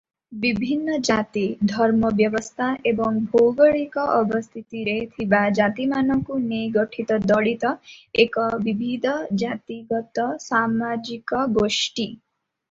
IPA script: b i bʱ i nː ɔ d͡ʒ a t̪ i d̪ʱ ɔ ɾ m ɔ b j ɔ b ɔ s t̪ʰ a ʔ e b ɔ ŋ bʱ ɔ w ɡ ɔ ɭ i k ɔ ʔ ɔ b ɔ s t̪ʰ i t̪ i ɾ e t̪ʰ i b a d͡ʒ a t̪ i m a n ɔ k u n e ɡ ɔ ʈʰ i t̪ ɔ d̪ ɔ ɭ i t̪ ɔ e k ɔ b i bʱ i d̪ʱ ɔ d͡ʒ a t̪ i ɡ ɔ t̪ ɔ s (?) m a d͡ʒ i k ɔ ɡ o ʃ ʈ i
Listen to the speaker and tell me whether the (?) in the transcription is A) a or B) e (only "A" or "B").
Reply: A